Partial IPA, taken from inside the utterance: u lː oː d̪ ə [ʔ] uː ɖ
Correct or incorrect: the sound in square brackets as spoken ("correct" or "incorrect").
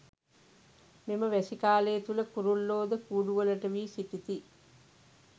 incorrect